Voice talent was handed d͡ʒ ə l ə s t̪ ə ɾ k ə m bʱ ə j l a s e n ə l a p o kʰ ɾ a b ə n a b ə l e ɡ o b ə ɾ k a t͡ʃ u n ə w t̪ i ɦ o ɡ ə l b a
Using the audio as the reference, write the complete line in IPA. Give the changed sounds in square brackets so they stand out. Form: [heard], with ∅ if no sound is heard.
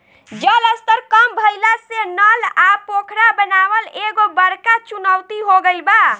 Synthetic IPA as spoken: d͡ʒ ə l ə s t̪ ə ɾ k ə m bʱ ə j l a s e n ə l a p o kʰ ɾ a b ə n a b ə l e ɡ o b ə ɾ k a t͡ʃ u n ə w t̪ i ɦ o ɡ ə l b a

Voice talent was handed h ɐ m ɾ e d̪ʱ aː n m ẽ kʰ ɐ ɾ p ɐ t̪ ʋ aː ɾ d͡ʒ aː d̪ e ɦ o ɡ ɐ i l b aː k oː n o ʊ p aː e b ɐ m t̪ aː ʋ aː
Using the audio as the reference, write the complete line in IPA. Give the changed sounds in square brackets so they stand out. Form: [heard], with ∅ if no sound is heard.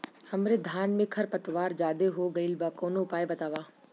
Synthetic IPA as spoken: h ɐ m ɾ e d̪ʱ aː n m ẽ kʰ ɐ ɾ p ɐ t̪ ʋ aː ɾ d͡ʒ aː d̪ e ɦ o ɡ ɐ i l b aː k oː n o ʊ p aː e b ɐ [∅] t̪ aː ʋ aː

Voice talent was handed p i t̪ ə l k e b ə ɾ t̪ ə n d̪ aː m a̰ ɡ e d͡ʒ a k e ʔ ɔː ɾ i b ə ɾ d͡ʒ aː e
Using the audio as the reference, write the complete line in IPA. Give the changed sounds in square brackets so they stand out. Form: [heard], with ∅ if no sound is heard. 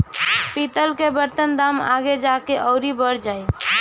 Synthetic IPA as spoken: p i t̪ ə l k e b ə ɾ t̪ ə n d̪ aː m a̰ ɡ e d͡ʒ a k e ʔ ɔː ɾ i b ə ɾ d͡ʒ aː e

